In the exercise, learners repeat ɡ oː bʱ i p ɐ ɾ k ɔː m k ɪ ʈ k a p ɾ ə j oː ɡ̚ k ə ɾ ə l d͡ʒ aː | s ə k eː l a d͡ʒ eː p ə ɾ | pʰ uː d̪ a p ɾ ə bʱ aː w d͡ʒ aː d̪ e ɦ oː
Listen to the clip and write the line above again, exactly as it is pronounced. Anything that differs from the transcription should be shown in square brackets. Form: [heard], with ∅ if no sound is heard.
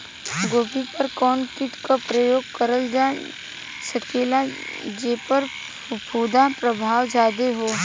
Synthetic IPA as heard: ɡ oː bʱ i p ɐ ɾ k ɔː [n] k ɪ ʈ k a p ɾ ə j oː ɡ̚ k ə ɾ ə l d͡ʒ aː | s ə k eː l a d͡ʒ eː p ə ɾ | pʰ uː d̪ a p ɾ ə bʱ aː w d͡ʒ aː d̪ e ɦ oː

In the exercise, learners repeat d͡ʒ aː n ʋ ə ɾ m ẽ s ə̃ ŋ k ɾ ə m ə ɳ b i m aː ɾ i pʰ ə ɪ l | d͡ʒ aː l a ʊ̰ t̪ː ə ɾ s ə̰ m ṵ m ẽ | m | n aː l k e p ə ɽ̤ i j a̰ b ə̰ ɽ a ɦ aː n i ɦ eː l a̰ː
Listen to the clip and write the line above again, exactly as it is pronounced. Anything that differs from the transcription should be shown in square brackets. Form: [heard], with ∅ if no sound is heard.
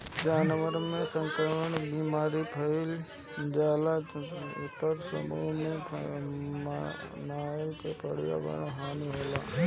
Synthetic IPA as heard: d͡ʒ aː n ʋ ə ɾ m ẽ s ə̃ ŋ k ɾ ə m ə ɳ b i m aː ɾ i pʰ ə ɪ l | d͡ʒ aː l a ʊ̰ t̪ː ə ɾ s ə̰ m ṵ m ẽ | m | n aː l k e p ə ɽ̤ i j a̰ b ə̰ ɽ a ɦ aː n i ɦ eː l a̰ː

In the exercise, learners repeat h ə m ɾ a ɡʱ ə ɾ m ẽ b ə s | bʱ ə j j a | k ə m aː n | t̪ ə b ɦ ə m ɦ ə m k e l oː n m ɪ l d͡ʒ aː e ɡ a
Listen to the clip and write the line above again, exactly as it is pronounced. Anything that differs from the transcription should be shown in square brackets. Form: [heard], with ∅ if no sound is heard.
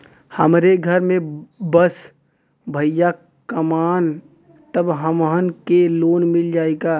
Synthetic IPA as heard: h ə m ɾ [e] ɡʱ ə ɾ m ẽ b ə s | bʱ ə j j a | k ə m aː n | t̪ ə b ɦ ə m ɦ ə [n] k e l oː n m ɪ l d͡ʒ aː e ɡ a

